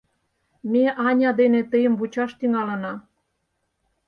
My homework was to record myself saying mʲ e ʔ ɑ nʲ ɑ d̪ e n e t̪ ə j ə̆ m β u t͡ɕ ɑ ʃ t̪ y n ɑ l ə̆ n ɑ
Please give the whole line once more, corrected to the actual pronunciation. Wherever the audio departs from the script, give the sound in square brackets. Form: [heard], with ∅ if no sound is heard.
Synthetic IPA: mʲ e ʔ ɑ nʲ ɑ d̪ e n e t̪ ə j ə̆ m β u t͡ɕ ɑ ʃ t̪ y [ŋ] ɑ l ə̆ n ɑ